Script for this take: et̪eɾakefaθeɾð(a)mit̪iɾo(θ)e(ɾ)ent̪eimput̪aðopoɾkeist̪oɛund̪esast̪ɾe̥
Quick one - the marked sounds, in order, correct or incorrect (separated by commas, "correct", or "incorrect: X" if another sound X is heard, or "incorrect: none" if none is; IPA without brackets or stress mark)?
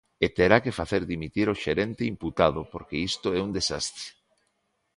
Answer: incorrect: i, incorrect: ʃ, correct